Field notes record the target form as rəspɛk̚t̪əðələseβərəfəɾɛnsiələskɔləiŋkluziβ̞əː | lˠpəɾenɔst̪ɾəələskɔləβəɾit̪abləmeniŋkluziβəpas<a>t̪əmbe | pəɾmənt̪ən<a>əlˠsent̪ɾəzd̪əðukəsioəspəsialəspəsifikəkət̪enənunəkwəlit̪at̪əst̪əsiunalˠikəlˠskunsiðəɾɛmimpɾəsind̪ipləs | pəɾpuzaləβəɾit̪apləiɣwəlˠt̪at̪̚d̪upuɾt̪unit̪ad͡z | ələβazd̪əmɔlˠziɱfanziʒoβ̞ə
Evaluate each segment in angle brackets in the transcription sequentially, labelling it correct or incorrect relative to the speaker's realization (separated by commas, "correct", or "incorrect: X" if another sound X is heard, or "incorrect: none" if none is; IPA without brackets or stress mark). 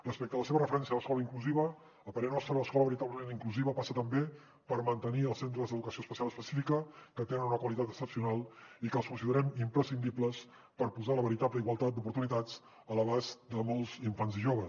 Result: incorrect: ə, incorrect: i